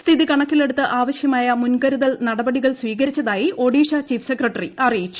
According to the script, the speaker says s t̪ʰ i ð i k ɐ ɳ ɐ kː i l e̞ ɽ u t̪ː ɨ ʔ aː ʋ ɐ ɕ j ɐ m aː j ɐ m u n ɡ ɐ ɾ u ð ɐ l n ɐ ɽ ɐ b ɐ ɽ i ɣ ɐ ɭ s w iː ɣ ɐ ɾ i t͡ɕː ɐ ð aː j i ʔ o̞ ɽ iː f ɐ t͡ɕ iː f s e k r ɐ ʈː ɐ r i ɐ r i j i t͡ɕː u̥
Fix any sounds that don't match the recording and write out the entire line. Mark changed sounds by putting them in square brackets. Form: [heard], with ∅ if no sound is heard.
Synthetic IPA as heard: s t̪ʰ i ð i k ɐ ɳ ɐ kː i l e̞ ɽ u t̪ː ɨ ʔ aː ʋ ɐ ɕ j ɐ m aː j ɐ m u n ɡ ɐ ɾ u ð ɐ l n ɐ ɽ ɐ b ɐ ɽ i ɣ ɐ ɭ s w iː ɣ ɐ ɾ i t͡ɕː ɐ ð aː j i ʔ o̞ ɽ iː [ʂ] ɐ t͡ɕ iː f s e k r ɐ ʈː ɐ r i ɐ r i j i t͡ɕː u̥